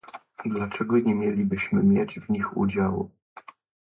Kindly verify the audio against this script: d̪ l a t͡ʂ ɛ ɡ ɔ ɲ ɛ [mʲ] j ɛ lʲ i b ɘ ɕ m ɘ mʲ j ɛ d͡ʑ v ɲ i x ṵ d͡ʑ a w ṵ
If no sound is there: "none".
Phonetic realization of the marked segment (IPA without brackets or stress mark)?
mʲ